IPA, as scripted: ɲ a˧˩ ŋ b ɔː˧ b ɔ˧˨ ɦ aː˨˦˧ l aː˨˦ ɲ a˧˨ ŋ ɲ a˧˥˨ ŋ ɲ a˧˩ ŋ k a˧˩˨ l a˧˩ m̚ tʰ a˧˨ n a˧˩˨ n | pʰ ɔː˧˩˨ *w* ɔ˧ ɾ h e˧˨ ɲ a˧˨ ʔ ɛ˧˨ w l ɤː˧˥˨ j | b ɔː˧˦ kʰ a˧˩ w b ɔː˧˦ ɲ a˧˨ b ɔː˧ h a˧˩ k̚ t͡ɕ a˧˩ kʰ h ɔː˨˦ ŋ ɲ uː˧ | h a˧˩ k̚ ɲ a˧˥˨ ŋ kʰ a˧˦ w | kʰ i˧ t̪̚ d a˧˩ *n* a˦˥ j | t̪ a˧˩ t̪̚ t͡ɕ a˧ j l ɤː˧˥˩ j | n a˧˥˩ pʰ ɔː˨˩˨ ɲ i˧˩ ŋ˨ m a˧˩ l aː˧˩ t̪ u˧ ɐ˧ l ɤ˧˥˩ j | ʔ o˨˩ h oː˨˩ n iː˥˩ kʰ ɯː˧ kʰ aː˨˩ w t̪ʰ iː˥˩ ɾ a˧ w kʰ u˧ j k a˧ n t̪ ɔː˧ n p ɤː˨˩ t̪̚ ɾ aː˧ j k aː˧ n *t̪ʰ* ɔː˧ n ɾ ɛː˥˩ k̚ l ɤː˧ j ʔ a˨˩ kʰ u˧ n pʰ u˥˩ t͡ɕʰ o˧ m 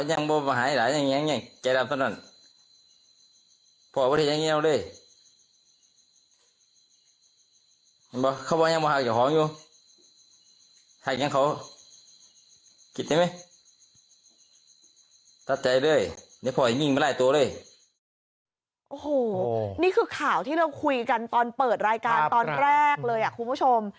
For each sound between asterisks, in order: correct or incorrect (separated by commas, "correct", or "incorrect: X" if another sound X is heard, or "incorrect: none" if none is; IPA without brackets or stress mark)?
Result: incorrect: b, incorrect: m, incorrect: t̪